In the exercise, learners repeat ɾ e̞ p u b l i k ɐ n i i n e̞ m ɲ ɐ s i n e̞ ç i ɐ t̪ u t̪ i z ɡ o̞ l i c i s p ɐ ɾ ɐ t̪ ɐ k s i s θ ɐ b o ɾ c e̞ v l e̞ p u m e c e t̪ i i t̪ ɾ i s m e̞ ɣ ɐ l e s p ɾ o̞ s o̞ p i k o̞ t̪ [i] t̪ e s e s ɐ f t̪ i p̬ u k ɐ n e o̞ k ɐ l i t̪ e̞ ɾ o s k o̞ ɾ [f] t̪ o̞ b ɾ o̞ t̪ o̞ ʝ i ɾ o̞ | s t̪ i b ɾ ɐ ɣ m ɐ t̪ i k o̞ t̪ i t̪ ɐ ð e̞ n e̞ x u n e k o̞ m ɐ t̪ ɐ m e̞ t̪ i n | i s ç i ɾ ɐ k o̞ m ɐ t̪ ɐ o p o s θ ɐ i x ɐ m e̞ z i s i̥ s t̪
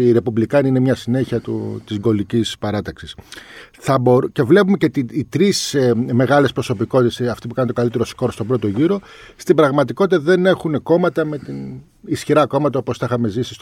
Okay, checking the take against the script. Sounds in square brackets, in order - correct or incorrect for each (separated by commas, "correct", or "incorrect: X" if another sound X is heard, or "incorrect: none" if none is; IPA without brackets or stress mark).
correct, incorrect: s